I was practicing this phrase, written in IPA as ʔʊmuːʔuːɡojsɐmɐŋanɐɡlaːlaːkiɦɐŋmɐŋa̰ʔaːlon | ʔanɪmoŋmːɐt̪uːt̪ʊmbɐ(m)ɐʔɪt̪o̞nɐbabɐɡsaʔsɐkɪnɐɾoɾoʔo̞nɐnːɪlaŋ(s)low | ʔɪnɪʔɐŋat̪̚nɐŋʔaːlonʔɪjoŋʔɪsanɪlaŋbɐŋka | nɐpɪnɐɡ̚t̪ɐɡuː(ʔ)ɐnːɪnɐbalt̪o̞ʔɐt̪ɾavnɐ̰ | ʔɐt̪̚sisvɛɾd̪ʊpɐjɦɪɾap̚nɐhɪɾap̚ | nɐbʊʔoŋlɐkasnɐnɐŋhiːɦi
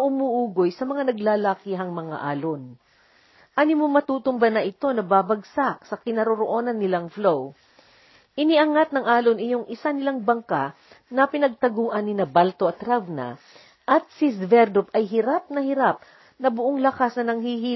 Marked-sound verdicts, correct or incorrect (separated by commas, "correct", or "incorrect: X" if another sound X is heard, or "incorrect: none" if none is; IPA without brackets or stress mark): incorrect: n, incorrect: f, correct